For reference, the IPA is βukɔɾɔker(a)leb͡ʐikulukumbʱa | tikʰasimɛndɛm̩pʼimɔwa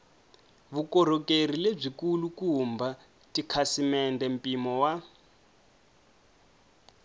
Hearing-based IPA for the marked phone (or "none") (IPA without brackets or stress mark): i